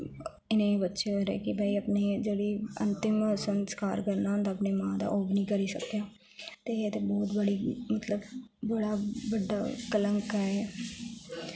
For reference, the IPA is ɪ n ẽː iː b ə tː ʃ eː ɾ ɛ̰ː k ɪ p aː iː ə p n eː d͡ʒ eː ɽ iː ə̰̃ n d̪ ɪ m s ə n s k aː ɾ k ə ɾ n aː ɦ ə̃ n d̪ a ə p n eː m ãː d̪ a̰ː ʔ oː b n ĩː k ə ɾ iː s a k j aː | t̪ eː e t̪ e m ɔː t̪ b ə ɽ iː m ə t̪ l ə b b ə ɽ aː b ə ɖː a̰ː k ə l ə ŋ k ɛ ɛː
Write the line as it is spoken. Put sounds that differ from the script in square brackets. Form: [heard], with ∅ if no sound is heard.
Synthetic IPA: ɪ n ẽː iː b ə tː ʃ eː ɾ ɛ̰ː k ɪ [b] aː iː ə p n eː d͡ʒ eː ɽ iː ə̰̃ n [t̪] ɪ m s ə n s k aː ɾ k ə ɾ n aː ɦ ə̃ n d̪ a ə p n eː m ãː d̪ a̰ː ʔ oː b n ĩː k ə ɾ iː s [ə] k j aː | t̪ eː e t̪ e [b] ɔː t̪ b ə ɽ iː m ə t̪ l ə b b ə ɽ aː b ə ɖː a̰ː k ə l ə ŋ k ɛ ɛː